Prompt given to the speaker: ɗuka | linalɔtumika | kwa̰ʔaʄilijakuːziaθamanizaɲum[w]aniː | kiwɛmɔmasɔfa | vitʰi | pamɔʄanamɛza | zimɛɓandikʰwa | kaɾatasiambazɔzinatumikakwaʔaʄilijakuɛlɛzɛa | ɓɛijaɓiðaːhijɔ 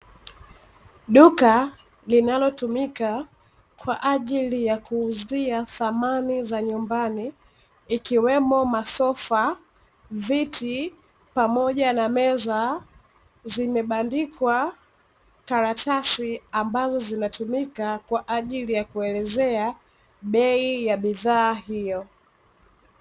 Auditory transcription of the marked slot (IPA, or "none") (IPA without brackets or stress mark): b